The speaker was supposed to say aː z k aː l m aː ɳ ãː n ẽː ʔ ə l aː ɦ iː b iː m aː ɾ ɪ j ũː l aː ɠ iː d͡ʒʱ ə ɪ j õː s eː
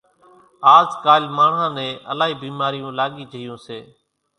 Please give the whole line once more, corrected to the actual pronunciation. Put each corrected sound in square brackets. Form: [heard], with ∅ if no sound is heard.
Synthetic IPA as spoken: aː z k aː l m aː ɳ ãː n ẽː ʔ ə l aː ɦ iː b iː m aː ɾ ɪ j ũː l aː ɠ iː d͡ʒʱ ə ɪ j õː s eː